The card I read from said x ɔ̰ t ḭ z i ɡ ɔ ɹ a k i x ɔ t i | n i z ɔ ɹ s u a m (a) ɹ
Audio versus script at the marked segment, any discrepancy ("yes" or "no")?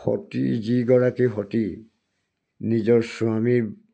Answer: yes